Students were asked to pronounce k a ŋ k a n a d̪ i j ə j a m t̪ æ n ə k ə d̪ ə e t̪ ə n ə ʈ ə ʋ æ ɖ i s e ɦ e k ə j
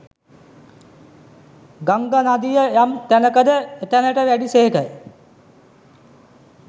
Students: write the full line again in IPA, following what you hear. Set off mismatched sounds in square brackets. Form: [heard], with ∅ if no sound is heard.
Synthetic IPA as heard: [ɡ] a ŋ [ɡ] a n a d̪ i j ə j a m t̪ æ n ə k ə d̪ ə e t̪ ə n ə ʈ ə ʋ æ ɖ i s e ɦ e k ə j